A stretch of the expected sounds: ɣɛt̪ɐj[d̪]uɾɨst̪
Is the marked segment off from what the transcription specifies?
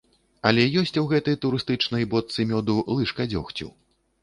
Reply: yes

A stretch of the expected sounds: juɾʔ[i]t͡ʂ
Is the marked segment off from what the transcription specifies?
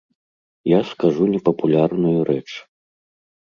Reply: yes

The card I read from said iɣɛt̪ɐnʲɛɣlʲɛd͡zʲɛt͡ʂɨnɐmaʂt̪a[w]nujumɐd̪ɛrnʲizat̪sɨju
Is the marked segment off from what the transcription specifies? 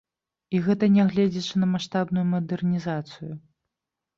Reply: yes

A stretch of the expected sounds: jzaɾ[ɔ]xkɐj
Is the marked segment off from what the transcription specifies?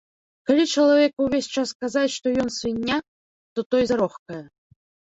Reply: no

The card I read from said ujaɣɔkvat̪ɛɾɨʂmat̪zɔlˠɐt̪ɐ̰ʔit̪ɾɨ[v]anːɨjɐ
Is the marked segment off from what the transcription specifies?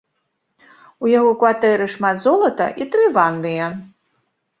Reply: no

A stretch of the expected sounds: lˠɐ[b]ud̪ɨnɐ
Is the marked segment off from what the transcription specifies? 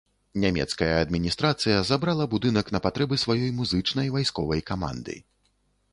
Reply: no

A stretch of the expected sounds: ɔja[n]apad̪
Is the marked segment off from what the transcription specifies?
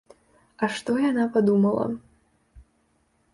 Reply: no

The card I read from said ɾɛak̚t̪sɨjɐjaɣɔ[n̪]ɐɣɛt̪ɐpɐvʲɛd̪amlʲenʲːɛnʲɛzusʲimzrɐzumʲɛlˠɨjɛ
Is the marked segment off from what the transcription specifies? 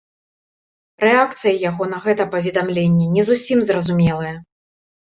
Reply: no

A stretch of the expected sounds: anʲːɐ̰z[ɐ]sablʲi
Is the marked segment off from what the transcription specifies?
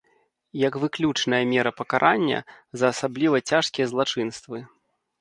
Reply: yes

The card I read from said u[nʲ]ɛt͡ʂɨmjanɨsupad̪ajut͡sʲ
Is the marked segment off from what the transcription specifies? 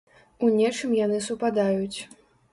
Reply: no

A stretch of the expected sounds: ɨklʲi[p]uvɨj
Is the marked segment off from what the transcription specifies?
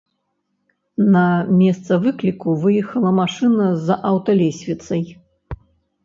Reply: yes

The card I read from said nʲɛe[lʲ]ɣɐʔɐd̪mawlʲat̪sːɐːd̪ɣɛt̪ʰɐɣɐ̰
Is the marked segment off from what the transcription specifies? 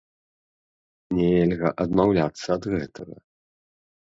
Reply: no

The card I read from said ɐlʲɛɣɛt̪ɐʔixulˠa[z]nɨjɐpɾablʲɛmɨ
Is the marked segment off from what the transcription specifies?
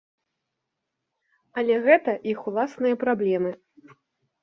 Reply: yes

